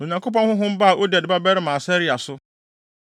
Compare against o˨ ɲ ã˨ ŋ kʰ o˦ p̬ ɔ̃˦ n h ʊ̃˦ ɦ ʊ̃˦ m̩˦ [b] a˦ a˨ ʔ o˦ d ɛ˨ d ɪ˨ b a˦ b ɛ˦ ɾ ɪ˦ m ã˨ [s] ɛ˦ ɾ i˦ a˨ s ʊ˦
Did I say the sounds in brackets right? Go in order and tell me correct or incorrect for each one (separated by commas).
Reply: correct, correct